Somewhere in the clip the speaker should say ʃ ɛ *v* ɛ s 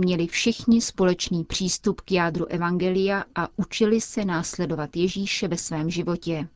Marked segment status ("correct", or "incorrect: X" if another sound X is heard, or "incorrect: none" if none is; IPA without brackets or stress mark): correct